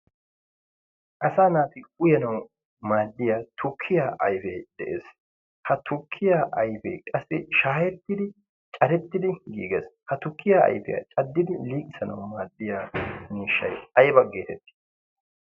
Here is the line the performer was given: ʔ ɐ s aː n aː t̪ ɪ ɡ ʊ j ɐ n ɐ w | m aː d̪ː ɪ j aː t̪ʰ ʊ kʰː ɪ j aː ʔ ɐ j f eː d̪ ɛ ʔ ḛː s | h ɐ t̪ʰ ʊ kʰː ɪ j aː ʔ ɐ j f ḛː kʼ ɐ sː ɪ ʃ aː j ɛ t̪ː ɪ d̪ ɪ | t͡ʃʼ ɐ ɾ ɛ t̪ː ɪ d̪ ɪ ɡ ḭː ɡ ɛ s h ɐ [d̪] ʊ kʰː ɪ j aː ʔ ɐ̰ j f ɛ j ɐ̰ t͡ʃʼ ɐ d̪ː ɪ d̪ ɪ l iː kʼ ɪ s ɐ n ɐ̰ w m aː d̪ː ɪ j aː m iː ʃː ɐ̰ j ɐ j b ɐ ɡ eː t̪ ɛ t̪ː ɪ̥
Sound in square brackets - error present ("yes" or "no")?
yes